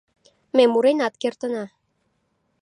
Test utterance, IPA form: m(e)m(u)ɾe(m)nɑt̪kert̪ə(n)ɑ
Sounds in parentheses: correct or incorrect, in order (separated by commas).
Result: correct, correct, incorrect, correct